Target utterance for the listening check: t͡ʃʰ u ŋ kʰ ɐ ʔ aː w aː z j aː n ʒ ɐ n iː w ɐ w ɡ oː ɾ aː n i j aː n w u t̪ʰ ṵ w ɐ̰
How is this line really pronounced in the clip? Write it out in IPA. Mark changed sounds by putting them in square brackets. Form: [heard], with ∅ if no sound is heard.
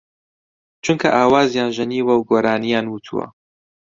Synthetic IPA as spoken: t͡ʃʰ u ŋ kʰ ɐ ʔ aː w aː z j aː n ʒ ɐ n iː w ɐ w ɡ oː ɾ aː n i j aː n w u t̪ʰ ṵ w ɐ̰